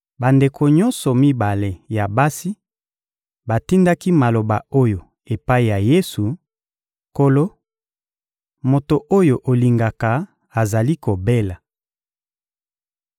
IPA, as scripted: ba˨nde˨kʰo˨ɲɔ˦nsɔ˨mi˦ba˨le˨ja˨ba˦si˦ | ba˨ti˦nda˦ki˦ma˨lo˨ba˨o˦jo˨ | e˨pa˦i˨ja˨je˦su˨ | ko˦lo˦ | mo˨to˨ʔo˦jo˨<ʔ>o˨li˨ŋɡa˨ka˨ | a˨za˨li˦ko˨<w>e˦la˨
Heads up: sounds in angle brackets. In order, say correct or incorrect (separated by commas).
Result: correct, incorrect